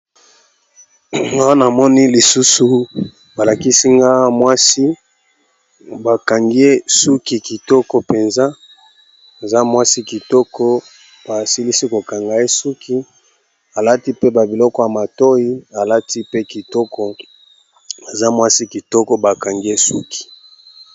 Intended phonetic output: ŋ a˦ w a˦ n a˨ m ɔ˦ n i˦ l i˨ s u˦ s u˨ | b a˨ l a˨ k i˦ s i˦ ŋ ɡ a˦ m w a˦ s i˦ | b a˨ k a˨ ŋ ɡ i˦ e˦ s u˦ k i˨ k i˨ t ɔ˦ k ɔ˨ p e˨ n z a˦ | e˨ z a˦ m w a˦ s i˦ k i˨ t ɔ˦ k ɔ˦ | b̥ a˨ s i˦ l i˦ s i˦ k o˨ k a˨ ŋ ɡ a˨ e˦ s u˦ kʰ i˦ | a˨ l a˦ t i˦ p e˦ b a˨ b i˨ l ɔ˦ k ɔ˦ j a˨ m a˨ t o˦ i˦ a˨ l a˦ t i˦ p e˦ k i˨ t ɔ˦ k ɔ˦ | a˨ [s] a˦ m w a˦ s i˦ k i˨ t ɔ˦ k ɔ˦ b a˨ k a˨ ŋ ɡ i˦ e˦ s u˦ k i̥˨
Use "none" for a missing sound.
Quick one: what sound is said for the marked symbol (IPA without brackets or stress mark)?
z